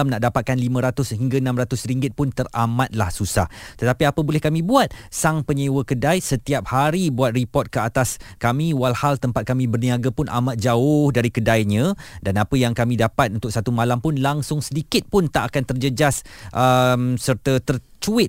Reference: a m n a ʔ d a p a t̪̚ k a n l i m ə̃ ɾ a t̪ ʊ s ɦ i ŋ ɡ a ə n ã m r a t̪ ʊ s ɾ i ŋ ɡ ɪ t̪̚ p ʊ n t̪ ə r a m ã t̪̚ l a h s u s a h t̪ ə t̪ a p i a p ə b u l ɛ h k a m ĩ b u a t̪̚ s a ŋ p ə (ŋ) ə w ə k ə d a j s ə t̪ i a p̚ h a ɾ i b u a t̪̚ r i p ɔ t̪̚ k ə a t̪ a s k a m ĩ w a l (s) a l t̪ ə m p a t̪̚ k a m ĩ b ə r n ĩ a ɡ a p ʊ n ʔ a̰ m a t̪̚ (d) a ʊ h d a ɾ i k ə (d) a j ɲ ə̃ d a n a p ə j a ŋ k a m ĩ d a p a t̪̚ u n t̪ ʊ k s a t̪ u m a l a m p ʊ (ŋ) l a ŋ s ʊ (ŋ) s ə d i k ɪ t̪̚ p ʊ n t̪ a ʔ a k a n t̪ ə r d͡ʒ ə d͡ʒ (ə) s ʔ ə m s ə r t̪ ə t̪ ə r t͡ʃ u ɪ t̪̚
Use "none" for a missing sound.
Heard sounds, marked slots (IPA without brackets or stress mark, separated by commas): ɲ, h, d͡ʒ, d, n, ŋ, a